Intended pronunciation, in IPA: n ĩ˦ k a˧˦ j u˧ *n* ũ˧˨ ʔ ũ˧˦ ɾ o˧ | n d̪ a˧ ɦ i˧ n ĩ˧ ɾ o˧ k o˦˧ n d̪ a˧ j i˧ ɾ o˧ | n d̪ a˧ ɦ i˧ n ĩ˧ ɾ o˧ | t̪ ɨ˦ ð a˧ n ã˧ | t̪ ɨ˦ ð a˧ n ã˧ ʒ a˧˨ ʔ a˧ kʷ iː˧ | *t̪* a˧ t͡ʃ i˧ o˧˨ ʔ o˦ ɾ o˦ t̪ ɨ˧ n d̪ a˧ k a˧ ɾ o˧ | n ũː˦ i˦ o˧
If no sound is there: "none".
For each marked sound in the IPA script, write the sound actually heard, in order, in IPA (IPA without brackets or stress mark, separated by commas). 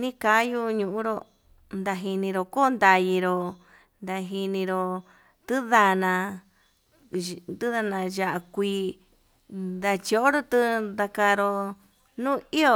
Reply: ɲ, d̪